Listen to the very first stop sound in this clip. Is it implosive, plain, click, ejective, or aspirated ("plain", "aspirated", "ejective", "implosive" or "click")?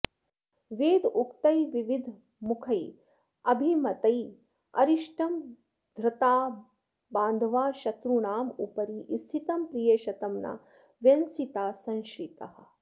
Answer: plain